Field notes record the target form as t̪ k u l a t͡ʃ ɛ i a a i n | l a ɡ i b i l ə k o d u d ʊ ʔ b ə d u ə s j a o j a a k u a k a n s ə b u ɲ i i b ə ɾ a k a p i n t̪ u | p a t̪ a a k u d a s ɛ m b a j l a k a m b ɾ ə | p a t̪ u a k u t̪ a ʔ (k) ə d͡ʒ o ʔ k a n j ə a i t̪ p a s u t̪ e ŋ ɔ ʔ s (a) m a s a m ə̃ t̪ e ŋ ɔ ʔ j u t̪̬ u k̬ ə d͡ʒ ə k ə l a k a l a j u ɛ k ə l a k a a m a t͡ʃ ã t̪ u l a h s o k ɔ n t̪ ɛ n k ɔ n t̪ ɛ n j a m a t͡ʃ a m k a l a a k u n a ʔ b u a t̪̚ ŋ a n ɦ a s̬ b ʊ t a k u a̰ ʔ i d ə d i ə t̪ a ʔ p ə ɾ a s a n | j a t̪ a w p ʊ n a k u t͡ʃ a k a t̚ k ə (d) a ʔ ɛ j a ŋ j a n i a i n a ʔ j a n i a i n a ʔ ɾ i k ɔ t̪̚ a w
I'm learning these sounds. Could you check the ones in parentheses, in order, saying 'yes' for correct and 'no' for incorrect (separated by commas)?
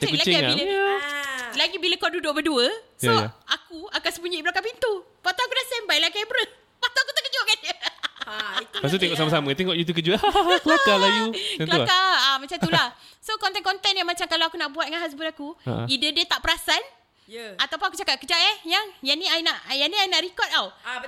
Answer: yes, yes, no